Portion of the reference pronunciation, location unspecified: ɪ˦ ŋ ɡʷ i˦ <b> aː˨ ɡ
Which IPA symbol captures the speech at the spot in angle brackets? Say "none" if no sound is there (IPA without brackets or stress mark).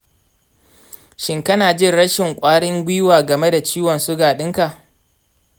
w